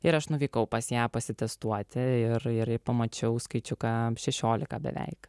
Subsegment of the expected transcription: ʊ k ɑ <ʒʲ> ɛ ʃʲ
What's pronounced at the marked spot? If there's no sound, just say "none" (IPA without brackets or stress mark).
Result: ʃʲ